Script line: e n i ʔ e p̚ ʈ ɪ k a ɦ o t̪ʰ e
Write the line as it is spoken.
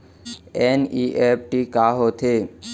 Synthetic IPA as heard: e n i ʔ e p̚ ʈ i k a ɦ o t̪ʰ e